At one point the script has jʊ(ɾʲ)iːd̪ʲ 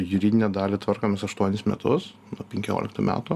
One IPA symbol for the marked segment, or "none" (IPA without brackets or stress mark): ɾʲ